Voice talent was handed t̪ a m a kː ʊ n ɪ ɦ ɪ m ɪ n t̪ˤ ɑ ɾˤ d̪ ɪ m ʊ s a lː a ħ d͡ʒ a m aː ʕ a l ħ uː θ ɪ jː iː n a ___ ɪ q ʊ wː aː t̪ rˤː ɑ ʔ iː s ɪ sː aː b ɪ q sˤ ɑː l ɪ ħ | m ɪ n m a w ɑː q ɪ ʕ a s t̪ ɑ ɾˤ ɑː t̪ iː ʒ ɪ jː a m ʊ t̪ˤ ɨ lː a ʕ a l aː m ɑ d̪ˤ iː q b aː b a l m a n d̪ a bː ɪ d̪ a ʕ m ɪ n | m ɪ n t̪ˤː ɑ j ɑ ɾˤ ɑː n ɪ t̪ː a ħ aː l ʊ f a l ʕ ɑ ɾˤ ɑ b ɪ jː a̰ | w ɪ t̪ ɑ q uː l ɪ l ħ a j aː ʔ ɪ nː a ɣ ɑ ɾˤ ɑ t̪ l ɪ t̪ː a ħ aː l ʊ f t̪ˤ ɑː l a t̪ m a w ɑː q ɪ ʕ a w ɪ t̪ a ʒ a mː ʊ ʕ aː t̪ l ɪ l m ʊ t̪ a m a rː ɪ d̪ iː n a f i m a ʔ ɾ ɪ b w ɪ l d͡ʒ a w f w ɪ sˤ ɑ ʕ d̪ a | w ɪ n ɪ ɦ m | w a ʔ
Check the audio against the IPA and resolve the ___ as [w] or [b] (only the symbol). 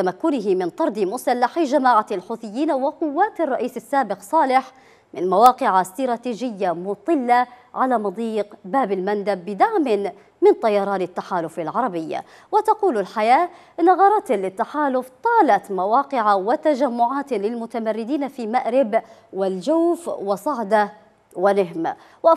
w